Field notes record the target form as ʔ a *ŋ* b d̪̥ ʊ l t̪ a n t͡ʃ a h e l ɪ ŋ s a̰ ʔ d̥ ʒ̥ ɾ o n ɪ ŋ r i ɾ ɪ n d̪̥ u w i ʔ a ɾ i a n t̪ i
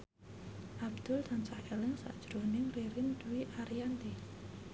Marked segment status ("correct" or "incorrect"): incorrect